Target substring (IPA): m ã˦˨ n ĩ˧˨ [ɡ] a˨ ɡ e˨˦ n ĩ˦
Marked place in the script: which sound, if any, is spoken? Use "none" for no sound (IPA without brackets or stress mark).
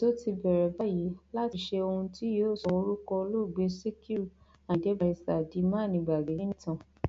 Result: ɡ͡b